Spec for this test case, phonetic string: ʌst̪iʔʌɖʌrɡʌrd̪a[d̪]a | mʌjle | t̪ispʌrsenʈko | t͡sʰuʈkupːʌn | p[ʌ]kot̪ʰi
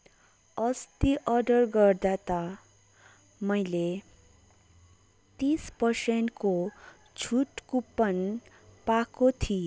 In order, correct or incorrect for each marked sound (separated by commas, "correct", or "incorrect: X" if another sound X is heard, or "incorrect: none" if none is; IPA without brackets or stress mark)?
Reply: incorrect: t̪, incorrect: a